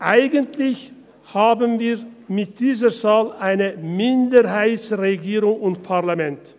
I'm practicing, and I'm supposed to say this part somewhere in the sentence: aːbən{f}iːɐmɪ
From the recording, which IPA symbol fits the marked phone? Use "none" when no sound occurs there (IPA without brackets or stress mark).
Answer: v